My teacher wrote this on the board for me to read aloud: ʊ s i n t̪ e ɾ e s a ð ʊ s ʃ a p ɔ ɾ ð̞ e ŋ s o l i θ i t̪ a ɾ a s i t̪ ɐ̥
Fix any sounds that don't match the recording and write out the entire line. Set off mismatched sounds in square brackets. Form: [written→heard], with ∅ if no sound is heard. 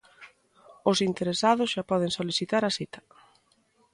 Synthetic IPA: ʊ s i n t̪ e ɾ e s a ð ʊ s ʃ a p ɔ [ɾ→∅] ð̞ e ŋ s o l i θ i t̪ a ɾ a s i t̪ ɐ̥

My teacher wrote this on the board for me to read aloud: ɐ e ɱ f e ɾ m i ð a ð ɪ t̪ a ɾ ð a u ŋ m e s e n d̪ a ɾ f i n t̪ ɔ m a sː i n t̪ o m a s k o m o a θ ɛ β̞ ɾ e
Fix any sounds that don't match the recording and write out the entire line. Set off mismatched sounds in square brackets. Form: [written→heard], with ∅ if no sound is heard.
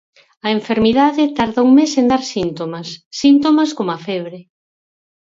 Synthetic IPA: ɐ e ɱ f e ɾ m i ð a ð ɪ t̪ a ɾ ð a u ŋ m e s e n d̪ a ɾ [f→s] i n t̪ [ɔ→o] m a sː i n t̪ o m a s k o m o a [θ→f] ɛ β̞ ɾ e

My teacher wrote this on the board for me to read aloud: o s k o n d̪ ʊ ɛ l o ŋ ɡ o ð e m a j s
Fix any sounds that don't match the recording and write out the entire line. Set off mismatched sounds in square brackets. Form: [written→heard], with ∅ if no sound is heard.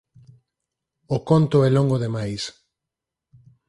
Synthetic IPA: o [s→∅] k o n [d̪→t̪] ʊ ɛ l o ŋ ɡ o ð e m a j s

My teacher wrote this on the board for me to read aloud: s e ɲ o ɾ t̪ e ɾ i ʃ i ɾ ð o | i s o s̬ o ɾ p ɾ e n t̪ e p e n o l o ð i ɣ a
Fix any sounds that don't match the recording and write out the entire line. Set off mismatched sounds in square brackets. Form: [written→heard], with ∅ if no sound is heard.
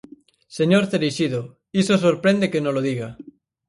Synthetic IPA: s e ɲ o ɾ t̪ e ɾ i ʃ i [ɾ→∅] ð o | i s o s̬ o ɾ p ɾ e n [t̪→d̪] e [p→k] e n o l o ð i ɣ a

